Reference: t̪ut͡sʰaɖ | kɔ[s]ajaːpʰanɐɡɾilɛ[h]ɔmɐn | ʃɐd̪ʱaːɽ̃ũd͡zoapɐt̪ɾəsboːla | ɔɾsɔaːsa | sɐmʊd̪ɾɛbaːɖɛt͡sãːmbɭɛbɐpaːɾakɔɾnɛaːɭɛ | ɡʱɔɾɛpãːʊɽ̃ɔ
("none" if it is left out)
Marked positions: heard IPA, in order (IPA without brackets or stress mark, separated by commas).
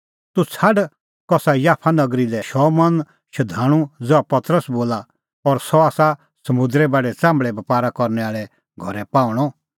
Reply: s, ʃ